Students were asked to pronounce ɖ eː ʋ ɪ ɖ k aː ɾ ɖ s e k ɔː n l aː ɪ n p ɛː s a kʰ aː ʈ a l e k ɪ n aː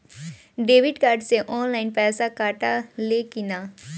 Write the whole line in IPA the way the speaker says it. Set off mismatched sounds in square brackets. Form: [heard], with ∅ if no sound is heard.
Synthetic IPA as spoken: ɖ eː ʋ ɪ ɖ k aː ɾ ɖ s e [ʔ] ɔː n l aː ɪ n p ɛː s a [k] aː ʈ a l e k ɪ n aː

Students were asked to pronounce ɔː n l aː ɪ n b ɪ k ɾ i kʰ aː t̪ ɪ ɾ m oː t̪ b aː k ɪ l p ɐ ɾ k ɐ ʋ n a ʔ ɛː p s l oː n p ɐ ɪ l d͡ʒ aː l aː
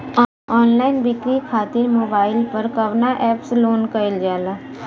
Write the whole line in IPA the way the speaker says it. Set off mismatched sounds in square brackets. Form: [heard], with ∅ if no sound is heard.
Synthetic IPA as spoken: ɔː n l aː ɪ n b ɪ k ɾ i kʰ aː t̪ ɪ ɾ m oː [∅] b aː [∅] ɪ l p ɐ ɾ k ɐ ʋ n a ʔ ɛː p s l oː n [k] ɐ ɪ l d͡ʒ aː l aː

